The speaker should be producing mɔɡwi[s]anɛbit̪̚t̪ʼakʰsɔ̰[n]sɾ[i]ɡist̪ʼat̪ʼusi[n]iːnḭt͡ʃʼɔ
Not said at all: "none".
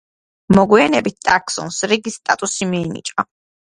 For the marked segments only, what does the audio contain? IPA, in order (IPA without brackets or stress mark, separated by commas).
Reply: none, n, i, m